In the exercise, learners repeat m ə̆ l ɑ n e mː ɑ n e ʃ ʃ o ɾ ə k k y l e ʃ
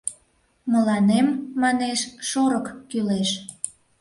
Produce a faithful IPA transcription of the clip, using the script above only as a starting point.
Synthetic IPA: m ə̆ l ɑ n e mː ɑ n e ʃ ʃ o ɾ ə k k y l e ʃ